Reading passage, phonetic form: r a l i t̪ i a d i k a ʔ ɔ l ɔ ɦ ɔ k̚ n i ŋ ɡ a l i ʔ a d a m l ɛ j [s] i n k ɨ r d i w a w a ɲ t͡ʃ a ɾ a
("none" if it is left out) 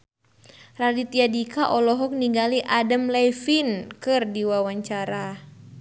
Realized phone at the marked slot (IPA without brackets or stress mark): f